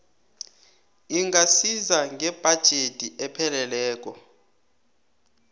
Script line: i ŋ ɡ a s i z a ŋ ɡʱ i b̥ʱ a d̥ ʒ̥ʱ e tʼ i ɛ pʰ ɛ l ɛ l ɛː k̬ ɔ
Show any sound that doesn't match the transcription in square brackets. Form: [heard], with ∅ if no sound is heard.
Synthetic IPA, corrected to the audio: i ŋ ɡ a s i z a ŋ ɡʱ [ɛ] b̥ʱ a d̥ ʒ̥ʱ e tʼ i ɛ pʰ ɛ l ɛ l ɛː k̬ ɔ